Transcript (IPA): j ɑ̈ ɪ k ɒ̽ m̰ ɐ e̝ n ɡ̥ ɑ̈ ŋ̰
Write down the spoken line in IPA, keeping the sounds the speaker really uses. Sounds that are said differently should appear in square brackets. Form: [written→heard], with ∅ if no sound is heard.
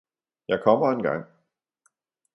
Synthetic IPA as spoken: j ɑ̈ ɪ [k→kʰ] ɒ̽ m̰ ɐ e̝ n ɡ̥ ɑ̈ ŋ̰